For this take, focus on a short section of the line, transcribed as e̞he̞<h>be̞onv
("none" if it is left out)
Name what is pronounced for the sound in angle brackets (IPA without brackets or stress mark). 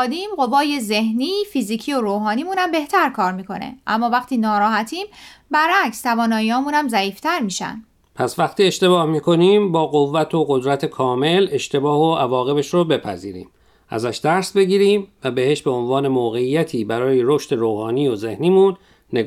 ʃ